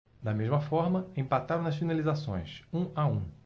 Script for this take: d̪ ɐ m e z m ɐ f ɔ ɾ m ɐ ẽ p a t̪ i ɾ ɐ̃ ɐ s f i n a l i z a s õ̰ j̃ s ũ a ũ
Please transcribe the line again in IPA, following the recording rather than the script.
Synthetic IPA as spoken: d̪ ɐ m e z m ɐ f ɔ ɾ m ɐ ẽ p a t̪ a ɾ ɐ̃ ɐ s f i n a l i z a s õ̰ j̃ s ũ a ũ